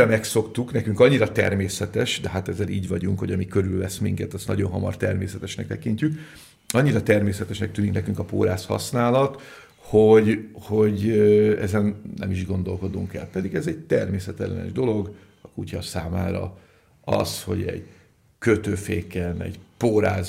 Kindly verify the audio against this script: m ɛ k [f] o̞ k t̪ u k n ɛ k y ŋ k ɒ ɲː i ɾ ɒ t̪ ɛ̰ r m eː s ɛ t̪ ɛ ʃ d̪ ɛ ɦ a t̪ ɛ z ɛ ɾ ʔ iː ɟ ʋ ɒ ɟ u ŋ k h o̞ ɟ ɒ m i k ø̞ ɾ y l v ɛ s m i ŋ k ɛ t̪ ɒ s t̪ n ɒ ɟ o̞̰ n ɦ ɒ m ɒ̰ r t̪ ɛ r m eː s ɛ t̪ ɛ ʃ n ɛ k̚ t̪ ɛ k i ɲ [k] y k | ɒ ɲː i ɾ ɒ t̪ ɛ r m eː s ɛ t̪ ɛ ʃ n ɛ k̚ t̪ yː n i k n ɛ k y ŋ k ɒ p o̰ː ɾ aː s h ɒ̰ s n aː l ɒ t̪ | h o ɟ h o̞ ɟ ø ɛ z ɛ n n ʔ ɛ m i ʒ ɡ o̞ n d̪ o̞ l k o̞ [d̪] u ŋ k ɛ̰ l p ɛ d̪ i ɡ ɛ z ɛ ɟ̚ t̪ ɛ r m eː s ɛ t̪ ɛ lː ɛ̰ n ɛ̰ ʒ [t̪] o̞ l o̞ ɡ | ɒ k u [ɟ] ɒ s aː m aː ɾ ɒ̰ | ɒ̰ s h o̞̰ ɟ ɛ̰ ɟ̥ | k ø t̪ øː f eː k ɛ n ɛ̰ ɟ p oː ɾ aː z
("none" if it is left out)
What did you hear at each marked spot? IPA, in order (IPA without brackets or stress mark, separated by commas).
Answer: s, c, d̪, d̪, c